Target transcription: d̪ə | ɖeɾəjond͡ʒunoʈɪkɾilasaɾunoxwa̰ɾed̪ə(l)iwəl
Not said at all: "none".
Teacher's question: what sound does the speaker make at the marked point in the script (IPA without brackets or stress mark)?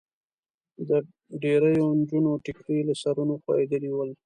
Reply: l